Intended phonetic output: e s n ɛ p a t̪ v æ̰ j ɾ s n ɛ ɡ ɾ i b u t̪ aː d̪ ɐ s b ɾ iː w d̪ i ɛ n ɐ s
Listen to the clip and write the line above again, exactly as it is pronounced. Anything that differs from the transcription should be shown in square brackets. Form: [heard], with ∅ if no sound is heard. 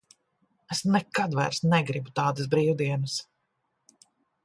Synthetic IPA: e s n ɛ [k] a [d̪] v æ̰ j ɾ s n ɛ ɡ ɾ i b u t̪ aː d̪ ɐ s b ɾ iː w d̪ i ɛ n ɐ s